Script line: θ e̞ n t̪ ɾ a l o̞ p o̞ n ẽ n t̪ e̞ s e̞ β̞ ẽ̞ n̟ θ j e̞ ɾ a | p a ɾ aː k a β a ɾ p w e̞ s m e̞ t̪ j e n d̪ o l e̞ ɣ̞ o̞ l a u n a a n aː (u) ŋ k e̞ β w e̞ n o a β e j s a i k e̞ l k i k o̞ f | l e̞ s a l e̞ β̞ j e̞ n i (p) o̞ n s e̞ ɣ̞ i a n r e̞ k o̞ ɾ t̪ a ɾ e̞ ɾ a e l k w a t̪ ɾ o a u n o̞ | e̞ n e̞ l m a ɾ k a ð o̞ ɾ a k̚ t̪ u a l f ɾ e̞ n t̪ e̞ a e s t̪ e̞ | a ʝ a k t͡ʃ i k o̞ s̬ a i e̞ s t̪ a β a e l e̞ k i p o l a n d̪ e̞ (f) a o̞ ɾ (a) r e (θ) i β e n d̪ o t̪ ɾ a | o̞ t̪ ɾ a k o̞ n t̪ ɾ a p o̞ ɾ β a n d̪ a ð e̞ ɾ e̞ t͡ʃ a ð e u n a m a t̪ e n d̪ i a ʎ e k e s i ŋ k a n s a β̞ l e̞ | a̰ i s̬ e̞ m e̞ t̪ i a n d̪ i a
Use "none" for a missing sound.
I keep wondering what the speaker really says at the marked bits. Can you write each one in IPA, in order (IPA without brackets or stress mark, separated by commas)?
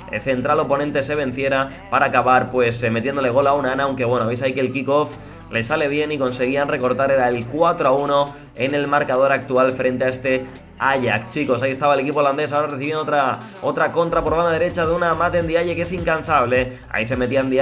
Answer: w, k, s, a, θ